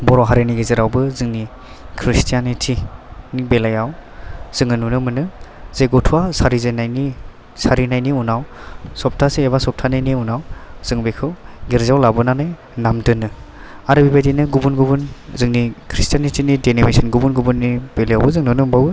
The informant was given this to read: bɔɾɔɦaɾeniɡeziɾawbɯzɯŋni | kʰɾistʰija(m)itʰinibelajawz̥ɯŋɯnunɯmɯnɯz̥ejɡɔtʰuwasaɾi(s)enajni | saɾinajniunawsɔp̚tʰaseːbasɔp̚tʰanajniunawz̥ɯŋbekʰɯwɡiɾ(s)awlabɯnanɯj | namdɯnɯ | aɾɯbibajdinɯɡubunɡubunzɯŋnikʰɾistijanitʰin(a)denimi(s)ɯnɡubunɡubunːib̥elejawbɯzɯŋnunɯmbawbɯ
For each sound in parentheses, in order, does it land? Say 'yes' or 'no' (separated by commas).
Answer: no, no, no, no, yes